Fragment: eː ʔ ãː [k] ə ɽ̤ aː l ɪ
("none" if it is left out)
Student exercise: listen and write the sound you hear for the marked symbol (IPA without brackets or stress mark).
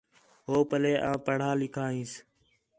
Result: p